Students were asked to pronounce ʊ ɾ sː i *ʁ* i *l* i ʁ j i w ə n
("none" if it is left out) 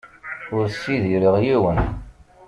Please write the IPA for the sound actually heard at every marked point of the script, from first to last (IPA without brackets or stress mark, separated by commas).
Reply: ð, ɾ